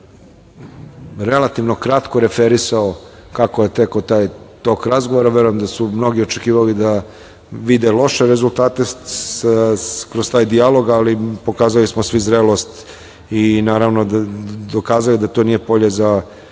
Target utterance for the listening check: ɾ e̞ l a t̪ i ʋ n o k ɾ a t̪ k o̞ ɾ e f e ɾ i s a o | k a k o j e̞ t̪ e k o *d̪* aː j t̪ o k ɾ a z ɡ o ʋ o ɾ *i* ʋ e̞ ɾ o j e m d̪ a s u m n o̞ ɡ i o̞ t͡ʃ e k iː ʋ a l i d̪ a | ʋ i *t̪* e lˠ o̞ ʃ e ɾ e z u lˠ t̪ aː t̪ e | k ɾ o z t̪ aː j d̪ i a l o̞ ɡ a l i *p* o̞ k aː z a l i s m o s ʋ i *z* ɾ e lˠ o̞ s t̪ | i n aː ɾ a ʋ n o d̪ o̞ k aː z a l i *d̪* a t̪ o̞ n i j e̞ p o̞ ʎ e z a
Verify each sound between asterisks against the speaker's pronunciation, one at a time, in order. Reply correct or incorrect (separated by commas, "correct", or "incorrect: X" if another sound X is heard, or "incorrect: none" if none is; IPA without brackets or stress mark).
incorrect: t̪, incorrect: a, incorrect: d̪, correct, correct, correct